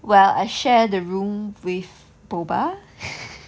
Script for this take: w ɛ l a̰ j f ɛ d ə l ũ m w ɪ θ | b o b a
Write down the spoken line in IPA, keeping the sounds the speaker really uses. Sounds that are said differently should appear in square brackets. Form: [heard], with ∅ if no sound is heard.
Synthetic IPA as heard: w ɛ l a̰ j [ʃ] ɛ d ə [ɹ] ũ m w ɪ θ | b o b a